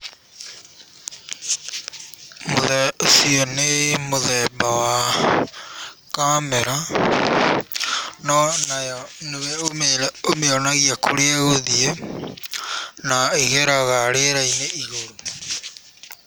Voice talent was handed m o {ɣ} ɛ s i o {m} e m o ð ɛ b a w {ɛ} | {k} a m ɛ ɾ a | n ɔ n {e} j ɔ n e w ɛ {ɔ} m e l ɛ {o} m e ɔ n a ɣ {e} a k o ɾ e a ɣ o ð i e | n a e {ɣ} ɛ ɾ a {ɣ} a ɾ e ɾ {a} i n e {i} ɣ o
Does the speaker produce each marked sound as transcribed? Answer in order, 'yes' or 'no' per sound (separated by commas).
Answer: no, no, no, yes, no, no, yes, no, yes, yes, yes, yes